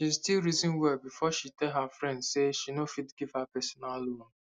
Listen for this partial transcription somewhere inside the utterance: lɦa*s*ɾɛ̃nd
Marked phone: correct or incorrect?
incorrect